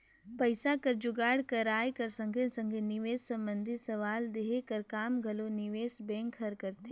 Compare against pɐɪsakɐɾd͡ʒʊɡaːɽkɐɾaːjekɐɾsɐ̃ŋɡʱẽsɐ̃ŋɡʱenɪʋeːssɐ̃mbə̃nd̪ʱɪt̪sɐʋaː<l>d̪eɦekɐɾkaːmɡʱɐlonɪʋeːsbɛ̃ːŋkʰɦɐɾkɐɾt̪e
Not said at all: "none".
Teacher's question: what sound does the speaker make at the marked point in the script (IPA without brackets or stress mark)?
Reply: l